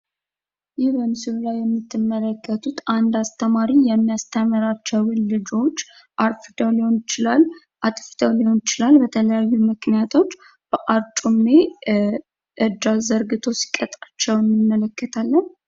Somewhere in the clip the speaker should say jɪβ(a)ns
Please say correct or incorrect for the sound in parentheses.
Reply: incorrect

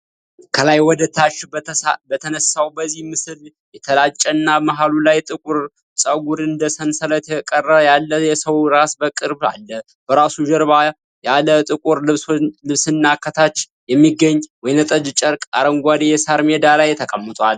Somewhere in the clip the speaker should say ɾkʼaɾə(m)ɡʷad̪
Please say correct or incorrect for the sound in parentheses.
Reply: incorrect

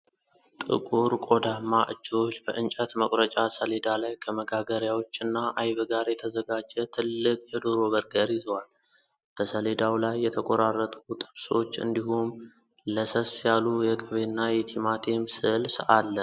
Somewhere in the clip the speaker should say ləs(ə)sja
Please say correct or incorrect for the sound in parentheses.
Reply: correct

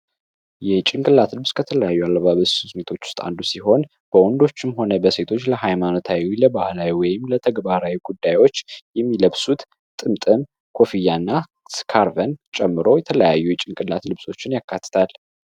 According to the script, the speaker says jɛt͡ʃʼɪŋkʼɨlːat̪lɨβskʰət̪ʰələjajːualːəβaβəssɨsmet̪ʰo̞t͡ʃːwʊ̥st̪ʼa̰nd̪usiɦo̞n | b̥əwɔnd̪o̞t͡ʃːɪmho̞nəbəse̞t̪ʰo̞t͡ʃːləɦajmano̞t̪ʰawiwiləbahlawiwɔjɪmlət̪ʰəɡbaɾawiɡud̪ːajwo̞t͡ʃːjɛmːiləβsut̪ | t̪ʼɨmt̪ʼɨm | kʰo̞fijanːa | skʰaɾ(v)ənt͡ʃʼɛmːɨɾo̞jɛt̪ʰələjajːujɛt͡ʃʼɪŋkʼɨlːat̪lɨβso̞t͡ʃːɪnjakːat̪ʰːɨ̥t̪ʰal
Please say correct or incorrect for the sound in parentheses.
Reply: correct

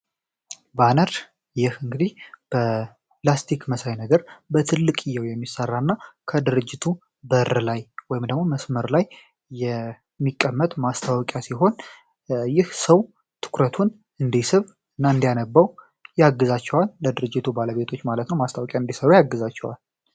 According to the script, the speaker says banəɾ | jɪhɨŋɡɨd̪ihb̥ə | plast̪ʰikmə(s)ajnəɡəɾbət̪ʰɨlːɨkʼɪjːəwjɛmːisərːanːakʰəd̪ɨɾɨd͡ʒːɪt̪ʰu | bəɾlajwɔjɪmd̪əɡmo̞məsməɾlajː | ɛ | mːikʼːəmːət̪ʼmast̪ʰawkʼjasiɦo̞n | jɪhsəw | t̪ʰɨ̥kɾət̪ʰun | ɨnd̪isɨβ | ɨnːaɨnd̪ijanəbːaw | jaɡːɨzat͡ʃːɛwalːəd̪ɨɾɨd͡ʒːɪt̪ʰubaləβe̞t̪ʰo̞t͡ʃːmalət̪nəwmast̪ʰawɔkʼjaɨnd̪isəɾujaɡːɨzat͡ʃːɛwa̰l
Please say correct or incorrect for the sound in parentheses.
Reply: correct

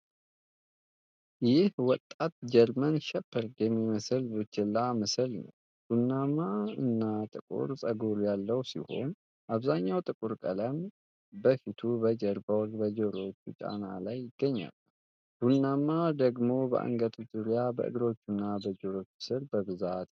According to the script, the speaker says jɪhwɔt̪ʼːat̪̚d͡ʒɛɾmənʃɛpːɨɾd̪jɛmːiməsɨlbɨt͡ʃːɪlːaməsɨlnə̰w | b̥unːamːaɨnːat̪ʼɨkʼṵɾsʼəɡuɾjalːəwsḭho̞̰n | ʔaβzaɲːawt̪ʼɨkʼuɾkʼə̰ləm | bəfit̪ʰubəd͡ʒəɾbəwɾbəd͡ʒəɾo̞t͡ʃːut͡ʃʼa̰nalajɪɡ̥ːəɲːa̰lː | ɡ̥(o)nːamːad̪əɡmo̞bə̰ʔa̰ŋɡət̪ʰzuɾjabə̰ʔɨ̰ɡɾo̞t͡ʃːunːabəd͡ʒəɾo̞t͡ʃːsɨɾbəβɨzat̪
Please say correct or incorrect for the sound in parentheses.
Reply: incorrect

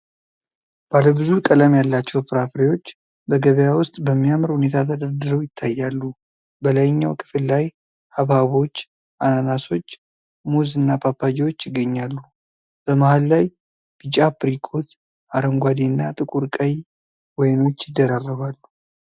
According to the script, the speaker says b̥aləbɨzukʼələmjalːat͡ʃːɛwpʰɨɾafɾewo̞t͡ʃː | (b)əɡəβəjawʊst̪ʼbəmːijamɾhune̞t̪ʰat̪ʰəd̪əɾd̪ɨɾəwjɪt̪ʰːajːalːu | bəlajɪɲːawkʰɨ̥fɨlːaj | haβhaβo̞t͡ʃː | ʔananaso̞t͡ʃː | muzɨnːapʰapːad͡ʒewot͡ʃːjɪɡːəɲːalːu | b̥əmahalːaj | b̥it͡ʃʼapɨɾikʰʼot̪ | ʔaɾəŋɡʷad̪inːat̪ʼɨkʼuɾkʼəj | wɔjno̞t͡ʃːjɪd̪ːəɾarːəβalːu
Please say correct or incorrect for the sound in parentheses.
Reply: correct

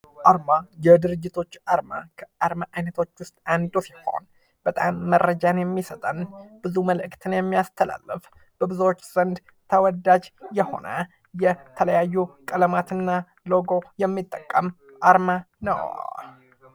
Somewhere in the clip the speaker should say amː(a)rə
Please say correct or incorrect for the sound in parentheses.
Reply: incorrect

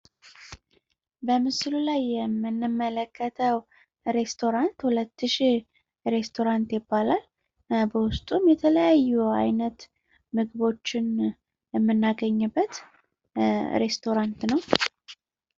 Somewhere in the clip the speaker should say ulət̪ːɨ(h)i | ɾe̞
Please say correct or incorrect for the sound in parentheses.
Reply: incorrect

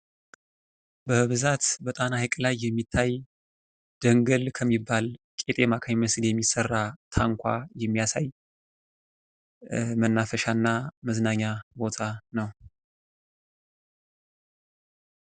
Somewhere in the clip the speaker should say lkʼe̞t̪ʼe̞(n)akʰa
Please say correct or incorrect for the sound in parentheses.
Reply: incorrect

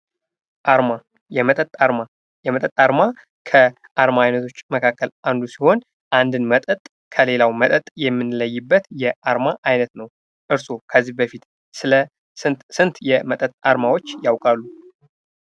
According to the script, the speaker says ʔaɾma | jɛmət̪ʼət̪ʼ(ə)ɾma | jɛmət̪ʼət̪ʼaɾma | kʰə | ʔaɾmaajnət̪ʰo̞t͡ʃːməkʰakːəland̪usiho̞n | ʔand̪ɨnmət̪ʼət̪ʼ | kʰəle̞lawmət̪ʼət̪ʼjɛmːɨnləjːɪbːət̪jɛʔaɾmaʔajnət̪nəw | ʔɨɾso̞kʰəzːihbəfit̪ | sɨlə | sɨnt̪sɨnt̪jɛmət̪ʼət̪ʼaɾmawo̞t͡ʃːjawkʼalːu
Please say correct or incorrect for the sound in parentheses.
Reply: incorrect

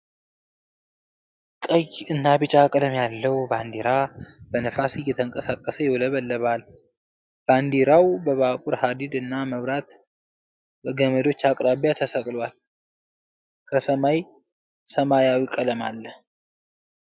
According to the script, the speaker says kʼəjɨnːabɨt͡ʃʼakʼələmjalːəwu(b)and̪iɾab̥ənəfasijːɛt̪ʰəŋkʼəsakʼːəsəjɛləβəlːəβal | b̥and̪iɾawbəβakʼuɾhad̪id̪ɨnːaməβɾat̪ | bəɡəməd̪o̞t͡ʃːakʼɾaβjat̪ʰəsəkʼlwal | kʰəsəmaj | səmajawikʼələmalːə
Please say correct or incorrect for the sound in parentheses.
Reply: correct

